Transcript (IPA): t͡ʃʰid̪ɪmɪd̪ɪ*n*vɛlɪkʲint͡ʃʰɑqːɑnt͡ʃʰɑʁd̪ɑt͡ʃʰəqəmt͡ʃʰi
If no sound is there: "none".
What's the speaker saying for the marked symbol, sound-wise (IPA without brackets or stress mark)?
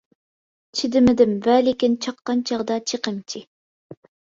m